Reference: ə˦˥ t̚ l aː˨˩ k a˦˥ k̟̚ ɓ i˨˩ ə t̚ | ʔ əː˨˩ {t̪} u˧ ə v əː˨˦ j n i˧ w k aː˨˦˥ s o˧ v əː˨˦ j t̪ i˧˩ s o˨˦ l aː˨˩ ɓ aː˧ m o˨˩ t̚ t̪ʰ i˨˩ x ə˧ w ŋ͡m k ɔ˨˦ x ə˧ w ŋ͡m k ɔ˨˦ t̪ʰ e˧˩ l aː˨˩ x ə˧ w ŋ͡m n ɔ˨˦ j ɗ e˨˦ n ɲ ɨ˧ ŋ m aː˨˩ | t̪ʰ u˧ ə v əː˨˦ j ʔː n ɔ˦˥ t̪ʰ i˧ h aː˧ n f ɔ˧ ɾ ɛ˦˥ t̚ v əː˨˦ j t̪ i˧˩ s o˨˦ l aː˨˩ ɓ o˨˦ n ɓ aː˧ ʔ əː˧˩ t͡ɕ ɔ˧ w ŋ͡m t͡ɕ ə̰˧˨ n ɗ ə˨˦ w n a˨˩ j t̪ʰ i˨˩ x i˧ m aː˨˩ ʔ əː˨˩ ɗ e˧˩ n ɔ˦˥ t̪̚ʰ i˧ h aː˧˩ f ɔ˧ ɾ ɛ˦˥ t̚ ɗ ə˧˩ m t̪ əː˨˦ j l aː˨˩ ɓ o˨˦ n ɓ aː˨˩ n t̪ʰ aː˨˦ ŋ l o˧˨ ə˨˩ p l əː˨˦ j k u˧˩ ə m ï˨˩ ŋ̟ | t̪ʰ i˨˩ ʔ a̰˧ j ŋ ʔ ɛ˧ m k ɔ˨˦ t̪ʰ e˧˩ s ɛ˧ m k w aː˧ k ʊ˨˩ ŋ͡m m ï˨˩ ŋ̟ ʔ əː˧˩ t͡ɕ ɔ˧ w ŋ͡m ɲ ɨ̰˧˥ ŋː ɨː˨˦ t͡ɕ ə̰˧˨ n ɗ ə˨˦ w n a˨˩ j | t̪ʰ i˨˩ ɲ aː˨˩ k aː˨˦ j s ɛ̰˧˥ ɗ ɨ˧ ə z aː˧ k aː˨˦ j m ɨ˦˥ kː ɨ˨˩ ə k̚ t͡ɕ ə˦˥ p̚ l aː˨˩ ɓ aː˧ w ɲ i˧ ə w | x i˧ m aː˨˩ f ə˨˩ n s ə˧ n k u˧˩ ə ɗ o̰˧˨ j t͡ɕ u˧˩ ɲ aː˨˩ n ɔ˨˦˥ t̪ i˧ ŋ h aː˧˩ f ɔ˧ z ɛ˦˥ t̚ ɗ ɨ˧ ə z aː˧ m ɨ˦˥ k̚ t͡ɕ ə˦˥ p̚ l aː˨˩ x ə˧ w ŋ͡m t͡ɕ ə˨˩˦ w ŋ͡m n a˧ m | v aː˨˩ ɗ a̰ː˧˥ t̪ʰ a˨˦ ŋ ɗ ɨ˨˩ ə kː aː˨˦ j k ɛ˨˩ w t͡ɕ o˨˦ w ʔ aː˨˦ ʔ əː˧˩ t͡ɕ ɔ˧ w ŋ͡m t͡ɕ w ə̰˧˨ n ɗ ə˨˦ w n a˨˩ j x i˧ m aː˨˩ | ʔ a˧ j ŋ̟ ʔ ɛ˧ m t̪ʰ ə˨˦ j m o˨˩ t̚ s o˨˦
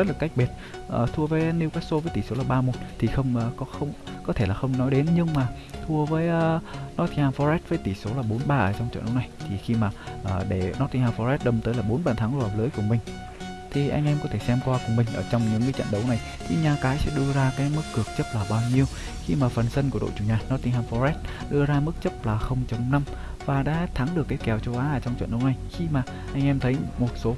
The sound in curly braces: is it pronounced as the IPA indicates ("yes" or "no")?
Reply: no